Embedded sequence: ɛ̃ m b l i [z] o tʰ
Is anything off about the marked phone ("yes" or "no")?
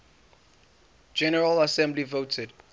yes